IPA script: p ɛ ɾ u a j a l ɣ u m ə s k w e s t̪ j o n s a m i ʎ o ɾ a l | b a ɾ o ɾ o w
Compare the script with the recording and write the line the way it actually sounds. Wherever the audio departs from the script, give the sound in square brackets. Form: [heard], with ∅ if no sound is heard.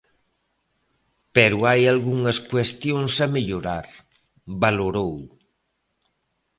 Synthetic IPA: p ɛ ɾ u a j a l ɣ u [ŋ] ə s k w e s t̪ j o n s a m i ʎ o ɾ a [ɾ] | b a [l] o ɾ o w